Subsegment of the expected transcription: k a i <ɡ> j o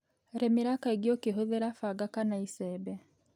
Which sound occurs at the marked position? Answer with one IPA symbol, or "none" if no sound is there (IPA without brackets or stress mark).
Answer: ɡ